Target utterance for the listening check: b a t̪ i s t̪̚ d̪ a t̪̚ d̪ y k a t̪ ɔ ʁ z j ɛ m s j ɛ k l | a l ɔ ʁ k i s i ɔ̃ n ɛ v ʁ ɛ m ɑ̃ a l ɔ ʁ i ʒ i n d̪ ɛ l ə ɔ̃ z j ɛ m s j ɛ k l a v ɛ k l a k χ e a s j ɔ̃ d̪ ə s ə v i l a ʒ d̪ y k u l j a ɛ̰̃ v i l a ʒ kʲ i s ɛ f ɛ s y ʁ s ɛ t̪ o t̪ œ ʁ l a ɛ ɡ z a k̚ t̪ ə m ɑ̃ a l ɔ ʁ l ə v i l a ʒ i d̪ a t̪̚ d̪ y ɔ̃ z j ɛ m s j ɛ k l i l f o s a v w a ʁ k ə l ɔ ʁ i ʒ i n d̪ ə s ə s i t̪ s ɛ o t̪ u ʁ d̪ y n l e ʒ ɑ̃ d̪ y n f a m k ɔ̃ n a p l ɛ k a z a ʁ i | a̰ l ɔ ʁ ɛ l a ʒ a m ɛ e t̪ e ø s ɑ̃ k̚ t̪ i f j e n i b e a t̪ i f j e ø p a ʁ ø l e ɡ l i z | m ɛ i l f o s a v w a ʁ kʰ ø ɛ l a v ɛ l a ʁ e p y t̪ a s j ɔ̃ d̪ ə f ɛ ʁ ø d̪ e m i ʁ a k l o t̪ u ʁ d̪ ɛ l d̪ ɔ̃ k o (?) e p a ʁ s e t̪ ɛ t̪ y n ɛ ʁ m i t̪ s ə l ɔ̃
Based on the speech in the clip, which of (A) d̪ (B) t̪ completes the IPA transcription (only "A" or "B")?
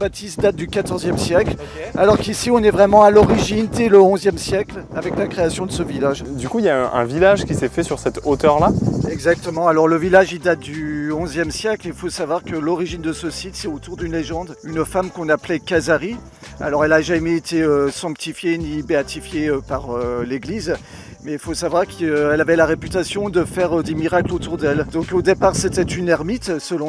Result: A